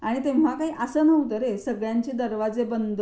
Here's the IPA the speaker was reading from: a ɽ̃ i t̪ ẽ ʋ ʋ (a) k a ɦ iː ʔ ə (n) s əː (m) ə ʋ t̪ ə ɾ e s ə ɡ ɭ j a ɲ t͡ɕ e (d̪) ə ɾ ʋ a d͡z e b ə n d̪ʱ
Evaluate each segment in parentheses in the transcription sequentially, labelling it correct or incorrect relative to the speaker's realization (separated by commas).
correct, incorrect, incorrect, correct